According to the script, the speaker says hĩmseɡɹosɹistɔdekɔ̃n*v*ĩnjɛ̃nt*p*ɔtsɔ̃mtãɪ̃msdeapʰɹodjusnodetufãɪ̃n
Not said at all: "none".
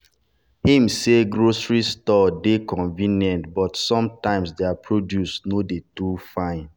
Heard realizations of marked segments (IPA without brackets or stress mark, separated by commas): v, b